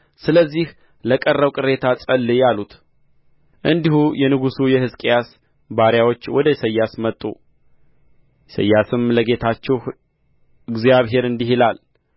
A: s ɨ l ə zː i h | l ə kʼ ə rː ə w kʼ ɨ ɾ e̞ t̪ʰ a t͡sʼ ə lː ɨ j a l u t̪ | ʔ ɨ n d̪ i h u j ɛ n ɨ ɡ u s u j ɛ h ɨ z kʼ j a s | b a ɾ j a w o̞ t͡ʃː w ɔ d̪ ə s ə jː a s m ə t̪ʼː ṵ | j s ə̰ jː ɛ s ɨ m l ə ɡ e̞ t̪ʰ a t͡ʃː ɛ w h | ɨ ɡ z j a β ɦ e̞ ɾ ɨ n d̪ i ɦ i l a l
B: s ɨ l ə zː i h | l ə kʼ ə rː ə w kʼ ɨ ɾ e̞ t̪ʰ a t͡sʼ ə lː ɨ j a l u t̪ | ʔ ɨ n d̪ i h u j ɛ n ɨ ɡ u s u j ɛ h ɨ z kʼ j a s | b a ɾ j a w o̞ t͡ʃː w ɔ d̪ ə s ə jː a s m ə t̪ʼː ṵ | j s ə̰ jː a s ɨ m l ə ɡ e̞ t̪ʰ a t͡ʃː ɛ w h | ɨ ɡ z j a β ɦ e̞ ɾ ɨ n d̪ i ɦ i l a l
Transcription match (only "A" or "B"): B